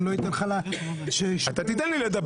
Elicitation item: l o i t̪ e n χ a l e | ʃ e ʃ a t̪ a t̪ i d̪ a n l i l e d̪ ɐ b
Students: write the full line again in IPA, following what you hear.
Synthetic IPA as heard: l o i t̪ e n χ a l a | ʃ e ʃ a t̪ a t̪ i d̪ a n l i l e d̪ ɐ b